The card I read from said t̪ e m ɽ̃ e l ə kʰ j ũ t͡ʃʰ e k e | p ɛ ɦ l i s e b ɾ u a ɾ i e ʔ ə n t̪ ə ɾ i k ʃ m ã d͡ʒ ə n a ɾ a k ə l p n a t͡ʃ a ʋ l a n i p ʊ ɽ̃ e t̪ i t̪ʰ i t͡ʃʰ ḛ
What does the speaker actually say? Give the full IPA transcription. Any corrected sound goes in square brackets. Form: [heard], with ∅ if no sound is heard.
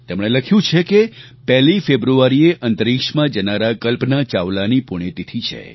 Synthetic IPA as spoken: t̪ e m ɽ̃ e l ə kʰ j ũ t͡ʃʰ e k e | p ɛ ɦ l i [f] e b ɾ u a ɾ i e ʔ ə n t̪ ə ɾ i k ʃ m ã d͡ʒ ə n a ɾ a k ə l p n a t͡ʃ a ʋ l a n i p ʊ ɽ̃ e t̪ i t̪ʰ i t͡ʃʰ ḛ

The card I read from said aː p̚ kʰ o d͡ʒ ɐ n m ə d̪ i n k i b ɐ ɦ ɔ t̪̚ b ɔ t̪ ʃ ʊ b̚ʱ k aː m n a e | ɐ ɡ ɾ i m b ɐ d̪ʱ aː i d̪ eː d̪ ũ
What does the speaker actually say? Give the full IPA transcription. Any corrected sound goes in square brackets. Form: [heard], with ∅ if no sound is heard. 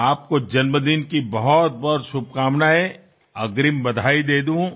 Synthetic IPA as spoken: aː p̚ [k] o d͡ʒ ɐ n m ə d̪ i n k i b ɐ ɦ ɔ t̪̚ b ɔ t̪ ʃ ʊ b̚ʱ k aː m n a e | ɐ ɡ ɾ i m b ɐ d̪ʱ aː i d̪ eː d̪ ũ

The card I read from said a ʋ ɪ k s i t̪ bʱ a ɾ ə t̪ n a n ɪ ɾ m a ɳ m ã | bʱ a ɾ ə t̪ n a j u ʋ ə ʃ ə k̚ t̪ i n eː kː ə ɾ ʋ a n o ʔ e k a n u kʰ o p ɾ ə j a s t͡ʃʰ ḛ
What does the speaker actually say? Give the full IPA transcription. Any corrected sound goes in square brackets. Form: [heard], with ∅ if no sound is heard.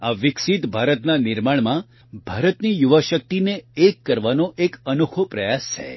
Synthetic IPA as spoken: a ʋ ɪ k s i t̪ bʱ a ɾ ə t̪ n a n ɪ ɾ m a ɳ m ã | bʱ a ɾ ə t̪ n [i] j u ʋ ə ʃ ə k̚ t̪ i n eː kː ə ɾ ʋ a n o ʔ e k [ə] n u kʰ o p ɾ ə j a s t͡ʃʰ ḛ

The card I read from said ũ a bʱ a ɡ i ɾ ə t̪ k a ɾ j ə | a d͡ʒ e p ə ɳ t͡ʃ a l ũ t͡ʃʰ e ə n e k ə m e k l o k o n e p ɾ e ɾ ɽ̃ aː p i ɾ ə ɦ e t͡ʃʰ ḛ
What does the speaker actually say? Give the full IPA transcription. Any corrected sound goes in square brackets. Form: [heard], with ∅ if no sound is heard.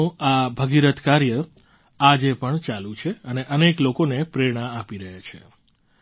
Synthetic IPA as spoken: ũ a bʱ [ə] ɡ i ɾ ə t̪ k a ɾ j ə | a d͡ʒ e p ə ɳ t͡ʃ a l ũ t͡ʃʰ e ə n e [ʔ] ə [n] e k l o k o n e p ɾ e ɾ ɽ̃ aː p i ɾ ə ɦ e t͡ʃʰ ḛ

